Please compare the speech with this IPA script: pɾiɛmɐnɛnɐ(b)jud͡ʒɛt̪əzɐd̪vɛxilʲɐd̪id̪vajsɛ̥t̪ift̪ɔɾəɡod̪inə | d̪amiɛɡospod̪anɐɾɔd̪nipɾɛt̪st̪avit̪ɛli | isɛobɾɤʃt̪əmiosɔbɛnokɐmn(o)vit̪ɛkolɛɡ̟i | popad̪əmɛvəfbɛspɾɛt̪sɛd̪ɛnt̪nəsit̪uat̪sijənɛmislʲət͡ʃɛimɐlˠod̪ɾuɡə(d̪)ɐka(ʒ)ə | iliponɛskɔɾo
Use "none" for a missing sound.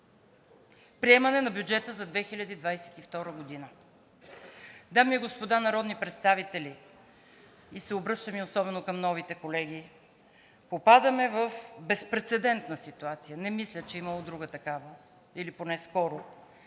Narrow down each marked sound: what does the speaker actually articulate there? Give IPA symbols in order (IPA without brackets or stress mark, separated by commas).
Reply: b, ɔ, t̪, v